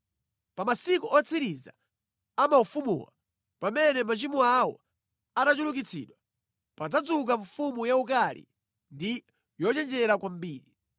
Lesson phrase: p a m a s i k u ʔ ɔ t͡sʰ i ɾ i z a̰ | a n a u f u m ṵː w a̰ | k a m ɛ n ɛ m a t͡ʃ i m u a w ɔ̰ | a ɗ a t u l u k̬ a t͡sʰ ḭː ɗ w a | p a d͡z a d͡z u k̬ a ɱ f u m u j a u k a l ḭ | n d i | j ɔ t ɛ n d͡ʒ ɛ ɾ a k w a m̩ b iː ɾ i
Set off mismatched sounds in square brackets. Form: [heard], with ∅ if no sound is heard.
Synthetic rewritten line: p a m a s i k u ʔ ɔ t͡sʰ i ɾ i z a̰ | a [m] a u f u m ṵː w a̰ | [p] a m ɛ n ɛ m a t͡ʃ i m u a w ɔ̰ | a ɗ a [t͡ʃ] u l u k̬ [i] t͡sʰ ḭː ɗ w a | p a d͡z a d͡z u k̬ a ɱ f u m u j a u k a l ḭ | n d i | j ɔ [t͡ʃ] ɛ n d͡ʒ ɛ ɾ a k w a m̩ b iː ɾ i